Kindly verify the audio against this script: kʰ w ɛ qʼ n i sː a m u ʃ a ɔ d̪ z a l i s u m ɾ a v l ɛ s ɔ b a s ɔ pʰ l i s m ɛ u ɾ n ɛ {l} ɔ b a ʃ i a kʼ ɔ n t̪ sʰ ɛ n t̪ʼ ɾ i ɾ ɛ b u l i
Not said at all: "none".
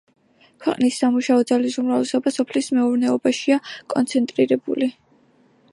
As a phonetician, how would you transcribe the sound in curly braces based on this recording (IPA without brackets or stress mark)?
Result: none